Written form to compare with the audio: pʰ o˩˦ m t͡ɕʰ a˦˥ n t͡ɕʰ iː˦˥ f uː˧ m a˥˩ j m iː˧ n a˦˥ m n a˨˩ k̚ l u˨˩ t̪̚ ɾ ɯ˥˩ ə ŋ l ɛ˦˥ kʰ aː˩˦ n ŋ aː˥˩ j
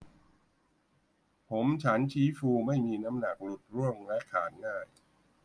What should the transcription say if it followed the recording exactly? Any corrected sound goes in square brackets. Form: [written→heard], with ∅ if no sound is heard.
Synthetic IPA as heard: pʰ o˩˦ m t͡ɕʰ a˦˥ n t͡ɕʰ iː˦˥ f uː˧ m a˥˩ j m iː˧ n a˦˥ m n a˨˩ k̚ l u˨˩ t̪̚ ɾ [ɯ˥˩→u˥˩] ə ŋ l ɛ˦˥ kʰ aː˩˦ n ŋ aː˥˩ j